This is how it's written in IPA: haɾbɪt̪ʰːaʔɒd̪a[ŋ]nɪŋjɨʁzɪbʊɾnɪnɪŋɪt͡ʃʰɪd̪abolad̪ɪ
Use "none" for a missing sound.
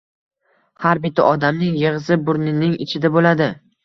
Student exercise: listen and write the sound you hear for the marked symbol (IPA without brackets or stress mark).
m